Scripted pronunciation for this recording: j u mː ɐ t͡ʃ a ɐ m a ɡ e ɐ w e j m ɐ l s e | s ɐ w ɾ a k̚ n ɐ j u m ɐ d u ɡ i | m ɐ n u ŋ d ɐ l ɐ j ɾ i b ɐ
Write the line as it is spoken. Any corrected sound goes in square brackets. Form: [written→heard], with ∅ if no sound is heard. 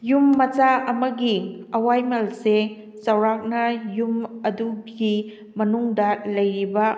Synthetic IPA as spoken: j u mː ɐ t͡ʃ a ɐ m [a→ɐ] ɡ [e→i] ɐ w [e→a] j m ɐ l s e | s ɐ w ɾ a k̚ n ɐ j u m ɐ d u ɡ i | m ɐ n u ŋ d ɐ l ɐ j ɾ i b ɐ